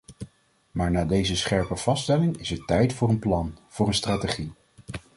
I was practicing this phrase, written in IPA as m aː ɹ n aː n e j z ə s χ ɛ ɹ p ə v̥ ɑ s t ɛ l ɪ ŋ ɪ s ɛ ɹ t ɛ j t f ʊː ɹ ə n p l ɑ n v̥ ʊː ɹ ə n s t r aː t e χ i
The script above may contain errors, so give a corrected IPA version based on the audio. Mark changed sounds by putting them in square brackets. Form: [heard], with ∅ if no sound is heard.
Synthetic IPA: m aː ɹ n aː [d] e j z ə s χ ɛ ɹ p ə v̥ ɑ s t ɛ l ɪ ŋ ɪ s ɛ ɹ t ɛ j t f ʊː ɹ ə n p l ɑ n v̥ ʊː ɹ ə n s t r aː t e χ i